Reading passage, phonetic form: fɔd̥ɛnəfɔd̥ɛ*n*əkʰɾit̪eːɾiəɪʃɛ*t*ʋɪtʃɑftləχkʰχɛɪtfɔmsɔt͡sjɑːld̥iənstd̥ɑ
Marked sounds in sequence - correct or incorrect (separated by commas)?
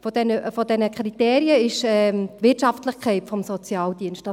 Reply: correct, correct